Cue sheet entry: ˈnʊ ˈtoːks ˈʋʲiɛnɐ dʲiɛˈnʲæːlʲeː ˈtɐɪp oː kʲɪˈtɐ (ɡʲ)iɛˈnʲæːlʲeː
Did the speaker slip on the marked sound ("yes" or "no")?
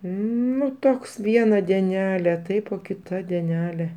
yes